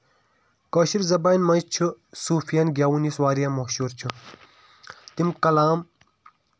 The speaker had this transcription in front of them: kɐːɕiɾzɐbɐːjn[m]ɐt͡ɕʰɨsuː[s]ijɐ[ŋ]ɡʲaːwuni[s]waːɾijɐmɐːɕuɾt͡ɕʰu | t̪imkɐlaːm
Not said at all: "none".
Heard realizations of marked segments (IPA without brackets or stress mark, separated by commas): m, f, n, s